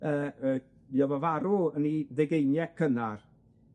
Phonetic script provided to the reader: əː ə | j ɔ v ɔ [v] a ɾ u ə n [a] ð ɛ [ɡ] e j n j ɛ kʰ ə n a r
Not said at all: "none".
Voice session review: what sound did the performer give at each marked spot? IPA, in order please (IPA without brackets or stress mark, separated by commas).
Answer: v, i, ɡ